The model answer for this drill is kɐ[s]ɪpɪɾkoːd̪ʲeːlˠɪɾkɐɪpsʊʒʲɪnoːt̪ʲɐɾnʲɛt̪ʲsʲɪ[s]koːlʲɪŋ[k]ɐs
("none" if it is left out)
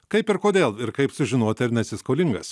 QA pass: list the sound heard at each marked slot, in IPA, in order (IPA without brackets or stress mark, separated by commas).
none, s, ɡ